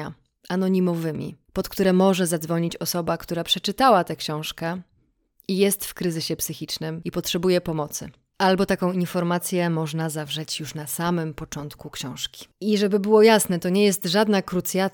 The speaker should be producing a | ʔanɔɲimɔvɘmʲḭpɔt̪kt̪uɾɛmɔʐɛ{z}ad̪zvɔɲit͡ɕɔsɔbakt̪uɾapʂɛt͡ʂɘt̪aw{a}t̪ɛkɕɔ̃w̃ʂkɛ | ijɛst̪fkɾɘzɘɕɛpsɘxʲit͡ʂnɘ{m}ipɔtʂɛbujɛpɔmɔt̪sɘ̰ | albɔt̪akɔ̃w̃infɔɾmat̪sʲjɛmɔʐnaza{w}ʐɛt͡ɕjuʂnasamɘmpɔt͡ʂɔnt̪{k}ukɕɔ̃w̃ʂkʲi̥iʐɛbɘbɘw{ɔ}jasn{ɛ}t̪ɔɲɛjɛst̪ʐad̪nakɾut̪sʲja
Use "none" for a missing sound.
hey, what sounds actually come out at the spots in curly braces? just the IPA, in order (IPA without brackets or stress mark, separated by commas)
z, a, m, v, k, ɔ, ɛ